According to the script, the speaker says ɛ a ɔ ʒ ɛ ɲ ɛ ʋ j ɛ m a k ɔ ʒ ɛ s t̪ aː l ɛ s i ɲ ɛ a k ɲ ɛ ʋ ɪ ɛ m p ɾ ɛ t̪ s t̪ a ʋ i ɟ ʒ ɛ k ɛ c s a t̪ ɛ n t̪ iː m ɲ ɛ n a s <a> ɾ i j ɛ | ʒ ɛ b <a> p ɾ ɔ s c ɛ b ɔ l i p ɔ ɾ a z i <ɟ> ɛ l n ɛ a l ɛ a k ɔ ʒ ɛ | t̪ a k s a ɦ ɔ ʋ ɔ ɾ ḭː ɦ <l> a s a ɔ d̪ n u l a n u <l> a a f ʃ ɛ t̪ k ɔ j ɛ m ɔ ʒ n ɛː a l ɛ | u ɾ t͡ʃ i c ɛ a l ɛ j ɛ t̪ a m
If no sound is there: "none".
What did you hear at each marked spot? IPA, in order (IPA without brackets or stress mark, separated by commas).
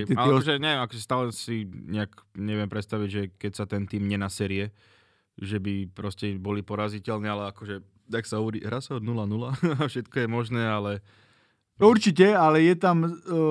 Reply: ɛ, i, c, ɾ, l